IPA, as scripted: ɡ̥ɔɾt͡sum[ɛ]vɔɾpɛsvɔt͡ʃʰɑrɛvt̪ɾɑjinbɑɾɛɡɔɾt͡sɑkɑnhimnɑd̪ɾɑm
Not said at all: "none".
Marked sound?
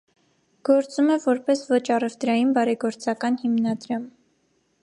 ɛ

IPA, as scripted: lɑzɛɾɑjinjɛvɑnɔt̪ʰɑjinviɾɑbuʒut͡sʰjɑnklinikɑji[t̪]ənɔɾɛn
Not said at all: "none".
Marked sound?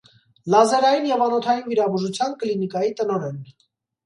t̪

